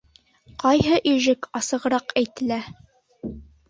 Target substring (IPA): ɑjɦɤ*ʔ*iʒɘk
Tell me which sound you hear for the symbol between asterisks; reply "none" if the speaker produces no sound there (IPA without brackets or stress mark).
ʔ